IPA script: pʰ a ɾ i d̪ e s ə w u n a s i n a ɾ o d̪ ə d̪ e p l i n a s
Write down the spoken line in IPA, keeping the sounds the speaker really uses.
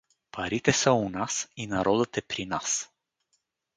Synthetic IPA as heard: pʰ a ɾ i t̪ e s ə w u n a s i n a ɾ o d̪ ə t̪ e p ɾ i n a s